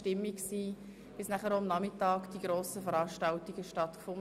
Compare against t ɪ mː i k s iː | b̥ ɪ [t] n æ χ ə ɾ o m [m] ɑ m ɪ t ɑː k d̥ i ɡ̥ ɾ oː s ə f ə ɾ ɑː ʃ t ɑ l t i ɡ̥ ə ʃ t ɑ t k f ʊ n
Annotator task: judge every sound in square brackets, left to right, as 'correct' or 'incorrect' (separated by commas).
incorrect, incorrect